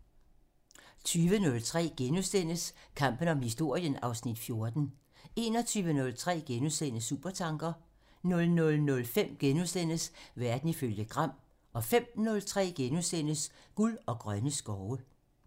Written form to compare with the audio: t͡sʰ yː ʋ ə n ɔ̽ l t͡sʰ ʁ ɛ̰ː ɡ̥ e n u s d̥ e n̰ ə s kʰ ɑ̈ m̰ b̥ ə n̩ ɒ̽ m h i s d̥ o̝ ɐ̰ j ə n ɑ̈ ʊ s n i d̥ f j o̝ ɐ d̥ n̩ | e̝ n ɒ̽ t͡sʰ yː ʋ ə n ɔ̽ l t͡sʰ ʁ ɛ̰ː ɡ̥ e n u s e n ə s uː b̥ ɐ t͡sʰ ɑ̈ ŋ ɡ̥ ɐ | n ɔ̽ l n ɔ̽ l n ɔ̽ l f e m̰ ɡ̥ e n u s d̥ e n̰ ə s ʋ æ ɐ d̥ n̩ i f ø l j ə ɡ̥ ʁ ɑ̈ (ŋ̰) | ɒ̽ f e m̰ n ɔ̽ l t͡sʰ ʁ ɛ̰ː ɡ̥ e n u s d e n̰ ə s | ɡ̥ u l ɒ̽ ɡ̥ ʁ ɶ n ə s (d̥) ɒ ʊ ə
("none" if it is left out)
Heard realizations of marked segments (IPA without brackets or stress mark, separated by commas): m̰, ɡ̥